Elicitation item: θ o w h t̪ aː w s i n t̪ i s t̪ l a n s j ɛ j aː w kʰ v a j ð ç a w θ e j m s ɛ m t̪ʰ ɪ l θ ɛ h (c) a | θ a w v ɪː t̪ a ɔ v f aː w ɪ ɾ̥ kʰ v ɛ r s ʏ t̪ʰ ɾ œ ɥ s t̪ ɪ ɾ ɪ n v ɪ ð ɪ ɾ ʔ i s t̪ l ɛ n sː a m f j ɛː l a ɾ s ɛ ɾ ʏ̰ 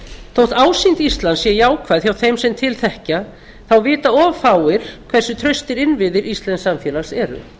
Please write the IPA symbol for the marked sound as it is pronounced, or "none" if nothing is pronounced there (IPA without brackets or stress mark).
c